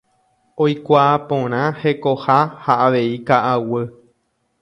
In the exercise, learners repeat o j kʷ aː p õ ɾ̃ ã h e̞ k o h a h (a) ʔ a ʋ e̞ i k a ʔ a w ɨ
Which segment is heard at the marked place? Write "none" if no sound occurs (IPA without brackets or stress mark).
a